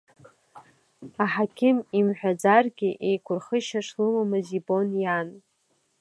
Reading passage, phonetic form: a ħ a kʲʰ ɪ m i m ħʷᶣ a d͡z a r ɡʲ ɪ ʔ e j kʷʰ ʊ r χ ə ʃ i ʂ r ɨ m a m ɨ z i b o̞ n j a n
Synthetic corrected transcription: a ħ a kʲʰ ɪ m i m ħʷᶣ a d͡z a r ɡʲ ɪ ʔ e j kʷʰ ʊ r χ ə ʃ a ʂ l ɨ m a m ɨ z i b o̞ n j a n